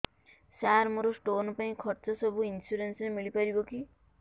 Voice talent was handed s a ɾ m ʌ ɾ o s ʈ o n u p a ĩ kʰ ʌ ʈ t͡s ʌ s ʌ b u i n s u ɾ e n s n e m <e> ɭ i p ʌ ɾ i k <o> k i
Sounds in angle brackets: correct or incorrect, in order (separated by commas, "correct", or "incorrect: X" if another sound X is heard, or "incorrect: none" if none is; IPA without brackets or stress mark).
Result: incorrect: i, correct